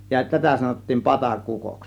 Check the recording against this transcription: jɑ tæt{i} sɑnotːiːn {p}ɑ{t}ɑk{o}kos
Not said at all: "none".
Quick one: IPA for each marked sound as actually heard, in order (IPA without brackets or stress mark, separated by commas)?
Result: æ, p, t, u